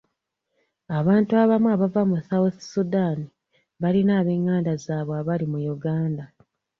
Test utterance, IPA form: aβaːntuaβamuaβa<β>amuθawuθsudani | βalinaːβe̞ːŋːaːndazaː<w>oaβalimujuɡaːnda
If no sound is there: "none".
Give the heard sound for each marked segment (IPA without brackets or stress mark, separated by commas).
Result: v, β